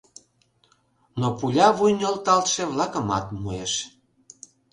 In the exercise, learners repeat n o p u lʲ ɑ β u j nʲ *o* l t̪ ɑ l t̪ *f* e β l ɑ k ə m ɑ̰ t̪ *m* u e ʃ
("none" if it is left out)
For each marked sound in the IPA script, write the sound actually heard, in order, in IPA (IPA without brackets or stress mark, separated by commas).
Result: o, ʃ, m